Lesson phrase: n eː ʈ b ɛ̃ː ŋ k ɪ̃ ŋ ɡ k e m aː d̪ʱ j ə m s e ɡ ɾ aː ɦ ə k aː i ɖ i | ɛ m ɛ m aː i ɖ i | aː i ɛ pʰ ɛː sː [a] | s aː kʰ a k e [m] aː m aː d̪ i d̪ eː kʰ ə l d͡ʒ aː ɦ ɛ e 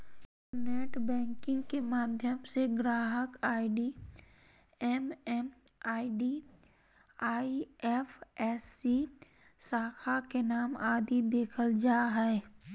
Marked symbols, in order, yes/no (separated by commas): no, no